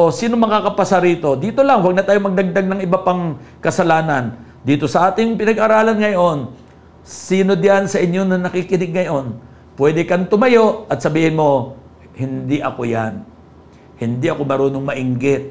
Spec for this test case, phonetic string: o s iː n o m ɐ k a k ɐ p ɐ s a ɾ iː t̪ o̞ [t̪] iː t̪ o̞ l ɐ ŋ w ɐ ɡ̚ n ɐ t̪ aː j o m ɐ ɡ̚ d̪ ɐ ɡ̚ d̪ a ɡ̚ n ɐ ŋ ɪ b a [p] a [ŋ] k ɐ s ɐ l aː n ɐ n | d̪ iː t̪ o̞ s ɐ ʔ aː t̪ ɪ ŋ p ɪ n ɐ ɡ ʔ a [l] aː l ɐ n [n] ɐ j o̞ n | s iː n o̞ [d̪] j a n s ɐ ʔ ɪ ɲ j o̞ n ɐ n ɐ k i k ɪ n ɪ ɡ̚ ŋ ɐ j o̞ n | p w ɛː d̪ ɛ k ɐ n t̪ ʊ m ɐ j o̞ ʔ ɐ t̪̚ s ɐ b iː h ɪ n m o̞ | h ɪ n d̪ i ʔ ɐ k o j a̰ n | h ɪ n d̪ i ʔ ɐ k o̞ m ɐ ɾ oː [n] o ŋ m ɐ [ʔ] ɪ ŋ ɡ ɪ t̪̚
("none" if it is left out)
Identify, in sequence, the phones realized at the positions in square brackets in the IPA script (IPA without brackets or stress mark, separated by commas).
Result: d̪, p, ŋ, ɾ, ŋ, d̪, n, ʔ